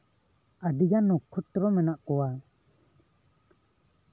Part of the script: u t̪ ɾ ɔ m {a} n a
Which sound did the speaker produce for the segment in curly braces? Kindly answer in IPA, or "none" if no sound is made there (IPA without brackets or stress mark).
ɛ